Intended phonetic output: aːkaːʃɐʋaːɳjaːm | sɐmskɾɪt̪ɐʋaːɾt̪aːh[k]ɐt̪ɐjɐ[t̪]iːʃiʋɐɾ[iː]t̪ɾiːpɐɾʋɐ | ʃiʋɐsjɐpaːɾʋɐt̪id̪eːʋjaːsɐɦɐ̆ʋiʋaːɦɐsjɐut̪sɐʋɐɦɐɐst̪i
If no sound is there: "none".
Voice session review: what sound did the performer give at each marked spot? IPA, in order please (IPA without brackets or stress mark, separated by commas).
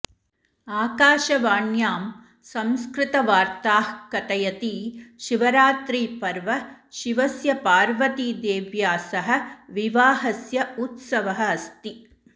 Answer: k, t̪, aː